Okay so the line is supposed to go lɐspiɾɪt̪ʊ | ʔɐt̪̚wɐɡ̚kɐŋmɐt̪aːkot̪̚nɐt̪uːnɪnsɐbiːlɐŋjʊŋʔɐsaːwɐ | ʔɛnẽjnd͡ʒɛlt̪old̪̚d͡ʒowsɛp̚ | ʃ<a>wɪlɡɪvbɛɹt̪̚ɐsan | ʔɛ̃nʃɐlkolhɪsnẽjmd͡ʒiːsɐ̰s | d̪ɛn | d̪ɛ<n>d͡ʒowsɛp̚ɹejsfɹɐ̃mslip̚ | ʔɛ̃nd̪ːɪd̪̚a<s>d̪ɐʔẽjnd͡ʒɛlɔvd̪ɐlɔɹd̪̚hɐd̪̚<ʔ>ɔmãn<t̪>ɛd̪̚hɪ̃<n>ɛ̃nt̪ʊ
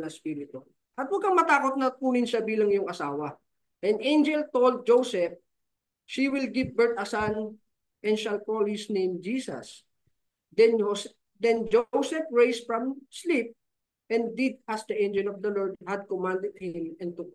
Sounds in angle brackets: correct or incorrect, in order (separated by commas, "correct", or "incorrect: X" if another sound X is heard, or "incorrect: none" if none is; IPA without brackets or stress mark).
incorrect: i, correct, correct, incorrect: k, incorrect: d̪, incorrect: m